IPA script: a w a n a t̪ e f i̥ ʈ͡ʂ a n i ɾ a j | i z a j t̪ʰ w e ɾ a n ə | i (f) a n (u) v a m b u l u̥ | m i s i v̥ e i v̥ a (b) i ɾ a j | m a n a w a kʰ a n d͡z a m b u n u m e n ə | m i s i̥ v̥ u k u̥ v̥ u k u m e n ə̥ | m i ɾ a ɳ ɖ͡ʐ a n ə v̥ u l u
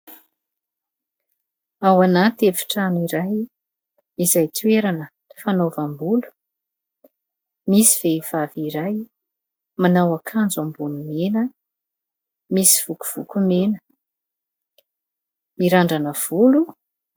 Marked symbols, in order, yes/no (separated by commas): yes, no, no